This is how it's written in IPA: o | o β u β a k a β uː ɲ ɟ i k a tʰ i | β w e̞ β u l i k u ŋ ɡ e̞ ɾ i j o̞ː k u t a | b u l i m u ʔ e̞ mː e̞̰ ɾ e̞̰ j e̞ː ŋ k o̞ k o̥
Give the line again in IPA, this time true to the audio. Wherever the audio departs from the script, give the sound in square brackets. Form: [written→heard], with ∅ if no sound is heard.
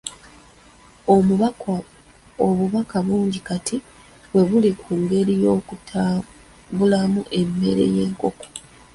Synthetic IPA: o | o β u β a k a β uː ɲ ɟ i k a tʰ i | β w e̞ β u l i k u ŋ ɡ e̞ ɾ i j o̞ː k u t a | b u l [i→a] m u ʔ e̞ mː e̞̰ ɾ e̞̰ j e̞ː ŋ k o̞ k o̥